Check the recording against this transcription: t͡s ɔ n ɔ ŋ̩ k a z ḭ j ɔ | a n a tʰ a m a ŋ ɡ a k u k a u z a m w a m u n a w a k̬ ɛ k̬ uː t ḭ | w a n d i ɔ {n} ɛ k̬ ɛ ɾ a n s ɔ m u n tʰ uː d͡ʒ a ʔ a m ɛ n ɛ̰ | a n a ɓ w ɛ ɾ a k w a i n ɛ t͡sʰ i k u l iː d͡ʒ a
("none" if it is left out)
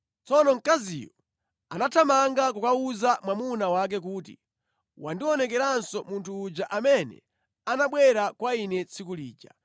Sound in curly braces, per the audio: n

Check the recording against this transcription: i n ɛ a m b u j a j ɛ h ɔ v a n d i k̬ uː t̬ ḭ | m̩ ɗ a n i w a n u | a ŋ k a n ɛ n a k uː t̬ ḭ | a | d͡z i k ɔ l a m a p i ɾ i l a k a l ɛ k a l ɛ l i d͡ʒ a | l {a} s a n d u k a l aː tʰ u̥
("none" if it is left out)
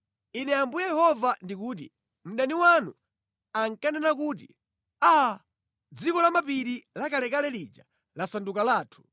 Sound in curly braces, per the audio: a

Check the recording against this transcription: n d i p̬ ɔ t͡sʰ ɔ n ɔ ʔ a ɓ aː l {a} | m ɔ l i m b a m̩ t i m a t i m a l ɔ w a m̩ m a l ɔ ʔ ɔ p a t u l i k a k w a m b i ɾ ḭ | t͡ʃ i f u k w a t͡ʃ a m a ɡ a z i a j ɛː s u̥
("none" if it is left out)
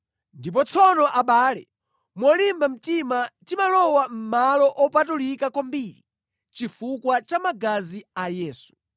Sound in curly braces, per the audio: ɛ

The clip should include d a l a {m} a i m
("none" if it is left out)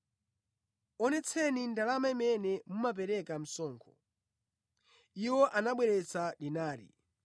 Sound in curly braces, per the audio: m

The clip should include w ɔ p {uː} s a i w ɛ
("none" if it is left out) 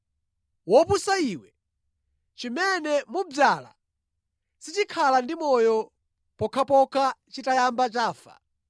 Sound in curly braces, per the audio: u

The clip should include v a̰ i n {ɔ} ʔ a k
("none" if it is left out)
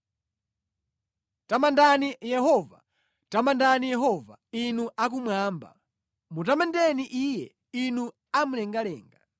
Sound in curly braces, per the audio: u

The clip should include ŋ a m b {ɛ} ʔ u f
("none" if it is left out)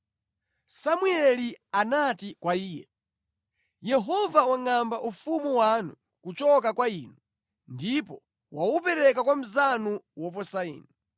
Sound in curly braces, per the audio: a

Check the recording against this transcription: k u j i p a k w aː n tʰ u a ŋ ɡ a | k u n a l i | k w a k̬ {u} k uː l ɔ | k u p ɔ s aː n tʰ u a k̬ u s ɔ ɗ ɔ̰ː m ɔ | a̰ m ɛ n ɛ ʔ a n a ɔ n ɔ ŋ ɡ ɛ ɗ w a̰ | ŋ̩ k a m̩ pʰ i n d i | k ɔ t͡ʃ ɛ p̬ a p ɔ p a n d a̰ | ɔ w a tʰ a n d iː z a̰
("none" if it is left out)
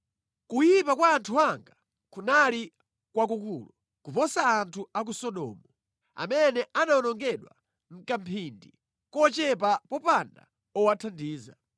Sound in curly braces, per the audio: u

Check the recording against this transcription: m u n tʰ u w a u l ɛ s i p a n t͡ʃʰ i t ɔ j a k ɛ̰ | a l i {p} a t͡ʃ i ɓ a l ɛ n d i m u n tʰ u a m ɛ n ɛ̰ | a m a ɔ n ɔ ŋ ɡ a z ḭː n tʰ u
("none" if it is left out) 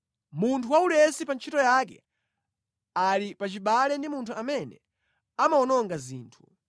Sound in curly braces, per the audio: p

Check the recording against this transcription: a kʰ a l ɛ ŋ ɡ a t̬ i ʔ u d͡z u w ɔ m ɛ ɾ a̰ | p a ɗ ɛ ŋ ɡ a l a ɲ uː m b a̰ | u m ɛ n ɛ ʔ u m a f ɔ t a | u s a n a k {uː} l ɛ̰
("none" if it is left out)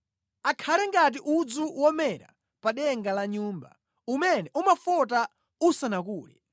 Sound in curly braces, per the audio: uː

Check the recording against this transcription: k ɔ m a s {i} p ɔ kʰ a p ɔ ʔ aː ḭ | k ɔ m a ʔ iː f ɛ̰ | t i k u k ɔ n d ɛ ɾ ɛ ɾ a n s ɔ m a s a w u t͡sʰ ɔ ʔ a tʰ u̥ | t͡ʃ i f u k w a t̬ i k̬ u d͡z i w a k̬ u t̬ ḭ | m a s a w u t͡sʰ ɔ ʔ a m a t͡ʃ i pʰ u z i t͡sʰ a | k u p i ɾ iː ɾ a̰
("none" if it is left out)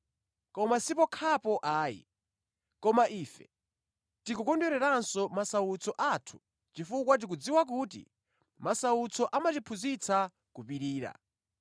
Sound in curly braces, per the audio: i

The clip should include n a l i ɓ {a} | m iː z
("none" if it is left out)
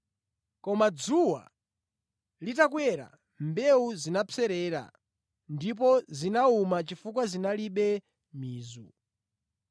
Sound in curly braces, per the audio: ɛ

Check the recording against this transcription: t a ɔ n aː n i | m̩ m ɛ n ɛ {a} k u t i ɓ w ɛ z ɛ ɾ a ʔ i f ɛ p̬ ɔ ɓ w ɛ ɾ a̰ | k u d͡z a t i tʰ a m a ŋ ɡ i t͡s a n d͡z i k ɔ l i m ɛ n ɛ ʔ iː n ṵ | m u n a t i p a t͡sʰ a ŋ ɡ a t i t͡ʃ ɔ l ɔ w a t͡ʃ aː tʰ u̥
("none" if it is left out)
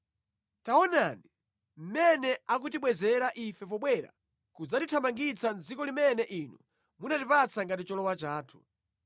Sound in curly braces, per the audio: a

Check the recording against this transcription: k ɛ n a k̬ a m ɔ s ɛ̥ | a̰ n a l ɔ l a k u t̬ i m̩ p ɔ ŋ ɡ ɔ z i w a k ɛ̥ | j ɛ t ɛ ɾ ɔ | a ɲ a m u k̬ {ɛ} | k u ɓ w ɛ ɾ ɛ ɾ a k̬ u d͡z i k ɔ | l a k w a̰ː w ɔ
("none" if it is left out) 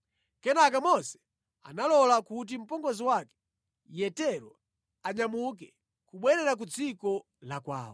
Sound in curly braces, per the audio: ɛ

